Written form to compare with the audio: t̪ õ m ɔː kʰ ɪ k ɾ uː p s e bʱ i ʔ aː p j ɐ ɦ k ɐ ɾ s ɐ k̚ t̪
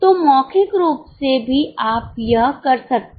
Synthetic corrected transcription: t̪ o m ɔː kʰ ɪ k ɾ uː p s e bʱ i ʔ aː p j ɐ ɦ k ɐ ɾ s ɐ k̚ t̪